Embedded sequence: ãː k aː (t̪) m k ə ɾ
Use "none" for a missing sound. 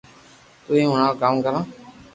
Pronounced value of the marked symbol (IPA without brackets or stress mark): none